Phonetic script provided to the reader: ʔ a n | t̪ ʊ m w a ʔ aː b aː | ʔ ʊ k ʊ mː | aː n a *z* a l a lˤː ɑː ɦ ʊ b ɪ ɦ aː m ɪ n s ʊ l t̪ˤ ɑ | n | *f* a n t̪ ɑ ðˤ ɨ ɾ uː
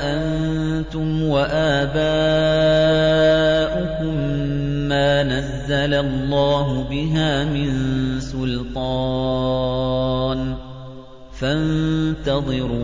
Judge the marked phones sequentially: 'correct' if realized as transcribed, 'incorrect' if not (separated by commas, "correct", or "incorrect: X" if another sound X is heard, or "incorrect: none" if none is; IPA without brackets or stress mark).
incorrect: zː, correct